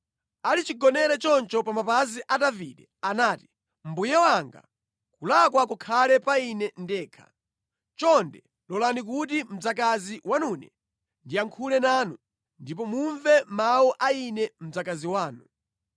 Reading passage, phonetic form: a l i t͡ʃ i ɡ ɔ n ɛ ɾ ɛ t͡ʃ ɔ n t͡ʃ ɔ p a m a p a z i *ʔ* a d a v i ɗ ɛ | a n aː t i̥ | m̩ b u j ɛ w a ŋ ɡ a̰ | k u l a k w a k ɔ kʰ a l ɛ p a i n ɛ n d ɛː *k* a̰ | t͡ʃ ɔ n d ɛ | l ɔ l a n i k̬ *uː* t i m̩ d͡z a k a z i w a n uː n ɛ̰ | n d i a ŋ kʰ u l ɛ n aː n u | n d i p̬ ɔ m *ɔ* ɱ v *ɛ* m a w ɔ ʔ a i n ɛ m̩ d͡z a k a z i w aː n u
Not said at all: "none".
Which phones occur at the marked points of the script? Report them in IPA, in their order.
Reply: ʔ, kʰ, u, u, ɛ

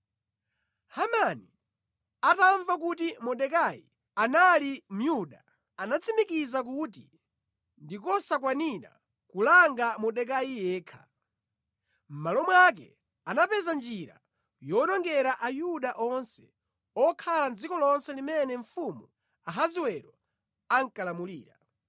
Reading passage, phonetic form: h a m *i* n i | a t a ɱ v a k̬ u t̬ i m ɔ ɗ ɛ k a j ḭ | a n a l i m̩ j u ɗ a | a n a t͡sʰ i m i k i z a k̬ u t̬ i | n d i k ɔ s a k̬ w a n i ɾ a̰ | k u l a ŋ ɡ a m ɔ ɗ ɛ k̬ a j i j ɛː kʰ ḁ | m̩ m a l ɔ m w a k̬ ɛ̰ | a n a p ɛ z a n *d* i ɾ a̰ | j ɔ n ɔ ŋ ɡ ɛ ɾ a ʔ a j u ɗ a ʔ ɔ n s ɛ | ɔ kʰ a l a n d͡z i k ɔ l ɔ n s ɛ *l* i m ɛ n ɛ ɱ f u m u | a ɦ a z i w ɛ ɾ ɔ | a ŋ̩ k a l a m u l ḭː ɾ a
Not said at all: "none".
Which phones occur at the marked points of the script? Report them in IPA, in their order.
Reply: a, d͡ʒ, l

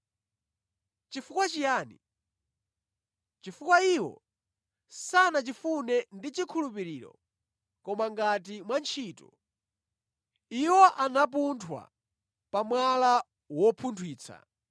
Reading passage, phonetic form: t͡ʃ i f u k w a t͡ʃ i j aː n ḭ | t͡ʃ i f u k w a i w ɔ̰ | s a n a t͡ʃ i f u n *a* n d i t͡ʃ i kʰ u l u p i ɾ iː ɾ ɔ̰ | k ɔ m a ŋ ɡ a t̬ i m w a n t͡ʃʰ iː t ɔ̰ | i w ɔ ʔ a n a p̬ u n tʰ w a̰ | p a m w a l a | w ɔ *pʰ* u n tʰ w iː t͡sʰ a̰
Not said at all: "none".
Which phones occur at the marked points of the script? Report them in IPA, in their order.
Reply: ɛ, pʰ

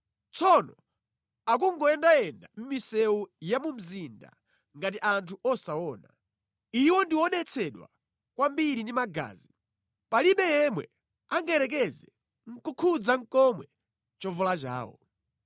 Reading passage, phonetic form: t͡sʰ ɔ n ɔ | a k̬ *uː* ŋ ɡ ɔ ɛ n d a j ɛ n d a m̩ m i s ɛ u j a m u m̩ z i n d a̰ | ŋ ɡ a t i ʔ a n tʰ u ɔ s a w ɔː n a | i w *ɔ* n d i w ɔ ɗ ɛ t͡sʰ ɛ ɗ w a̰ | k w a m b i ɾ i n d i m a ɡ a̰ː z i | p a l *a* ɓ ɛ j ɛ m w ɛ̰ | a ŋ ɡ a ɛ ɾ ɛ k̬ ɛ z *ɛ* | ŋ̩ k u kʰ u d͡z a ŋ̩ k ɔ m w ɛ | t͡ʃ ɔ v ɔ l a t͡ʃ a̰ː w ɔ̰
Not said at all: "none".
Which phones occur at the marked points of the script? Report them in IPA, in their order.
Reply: u, ɔ, i, ɛ

